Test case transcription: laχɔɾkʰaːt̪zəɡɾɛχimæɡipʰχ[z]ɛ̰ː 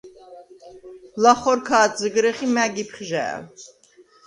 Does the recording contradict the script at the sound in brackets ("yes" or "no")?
yes